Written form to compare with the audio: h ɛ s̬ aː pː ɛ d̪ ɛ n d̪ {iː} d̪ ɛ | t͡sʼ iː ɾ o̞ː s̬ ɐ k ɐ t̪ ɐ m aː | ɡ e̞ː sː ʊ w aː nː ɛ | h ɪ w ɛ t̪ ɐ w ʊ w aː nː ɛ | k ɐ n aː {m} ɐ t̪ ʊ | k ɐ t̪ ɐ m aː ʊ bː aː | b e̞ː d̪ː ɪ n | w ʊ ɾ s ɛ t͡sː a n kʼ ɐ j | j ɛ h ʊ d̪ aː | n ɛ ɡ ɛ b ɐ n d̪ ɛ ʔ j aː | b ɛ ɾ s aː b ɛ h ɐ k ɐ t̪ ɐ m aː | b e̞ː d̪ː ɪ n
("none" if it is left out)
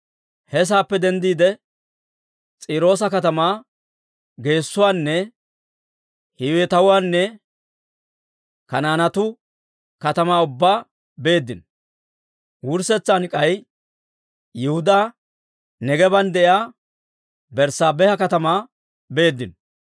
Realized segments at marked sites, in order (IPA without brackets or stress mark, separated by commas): iː, n